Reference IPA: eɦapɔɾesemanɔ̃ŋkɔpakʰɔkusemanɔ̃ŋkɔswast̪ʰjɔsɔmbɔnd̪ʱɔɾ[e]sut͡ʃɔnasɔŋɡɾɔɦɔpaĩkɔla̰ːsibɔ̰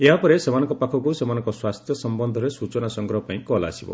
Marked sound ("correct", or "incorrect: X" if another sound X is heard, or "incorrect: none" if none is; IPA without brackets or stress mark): correct